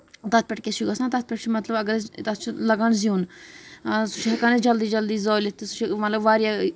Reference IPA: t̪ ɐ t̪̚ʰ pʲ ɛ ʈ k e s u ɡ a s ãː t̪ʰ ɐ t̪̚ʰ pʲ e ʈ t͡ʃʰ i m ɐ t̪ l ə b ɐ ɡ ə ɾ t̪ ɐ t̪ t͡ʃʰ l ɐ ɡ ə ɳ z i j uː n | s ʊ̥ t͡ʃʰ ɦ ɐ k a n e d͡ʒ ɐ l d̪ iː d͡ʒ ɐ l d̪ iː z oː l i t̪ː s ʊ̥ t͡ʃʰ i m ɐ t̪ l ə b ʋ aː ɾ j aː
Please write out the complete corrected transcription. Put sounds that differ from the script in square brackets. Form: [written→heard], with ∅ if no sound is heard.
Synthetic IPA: t̪ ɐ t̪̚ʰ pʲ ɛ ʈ k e s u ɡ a s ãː [t̪ʰ→t̪] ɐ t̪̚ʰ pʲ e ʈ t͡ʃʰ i m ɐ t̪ l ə b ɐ ɡ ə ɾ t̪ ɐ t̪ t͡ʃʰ l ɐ ɡ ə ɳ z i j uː n | s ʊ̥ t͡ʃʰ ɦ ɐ k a n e d͡ʒ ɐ l d̪ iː d͡ʒ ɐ l d̪ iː z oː l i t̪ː s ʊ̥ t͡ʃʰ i m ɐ t̪ l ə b ʋ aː ɾ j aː